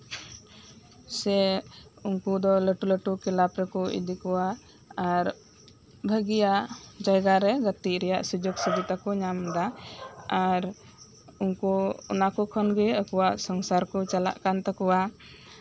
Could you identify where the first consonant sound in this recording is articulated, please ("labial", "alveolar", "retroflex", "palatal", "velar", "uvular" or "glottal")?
alveolar